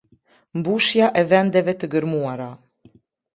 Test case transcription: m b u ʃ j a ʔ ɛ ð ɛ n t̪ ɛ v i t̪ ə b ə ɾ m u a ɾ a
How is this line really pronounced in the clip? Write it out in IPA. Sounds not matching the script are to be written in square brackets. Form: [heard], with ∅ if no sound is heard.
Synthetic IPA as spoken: m b u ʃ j a ʔ ɛ [v] ɛ n [d̪] ɛ v [ɛ] t̪ ə [ɡ] ə ɾ m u a ɾ a